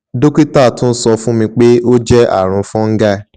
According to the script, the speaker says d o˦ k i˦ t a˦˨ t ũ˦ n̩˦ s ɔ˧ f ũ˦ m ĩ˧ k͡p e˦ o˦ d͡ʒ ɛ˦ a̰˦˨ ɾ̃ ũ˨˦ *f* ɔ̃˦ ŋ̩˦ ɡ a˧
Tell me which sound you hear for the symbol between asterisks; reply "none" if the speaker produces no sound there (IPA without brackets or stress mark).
f